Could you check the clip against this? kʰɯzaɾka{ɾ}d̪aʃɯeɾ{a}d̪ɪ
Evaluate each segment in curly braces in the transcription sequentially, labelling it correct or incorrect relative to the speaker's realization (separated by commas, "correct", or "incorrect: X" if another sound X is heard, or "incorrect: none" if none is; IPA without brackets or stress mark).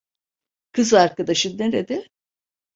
incorrect: none, incorrect: e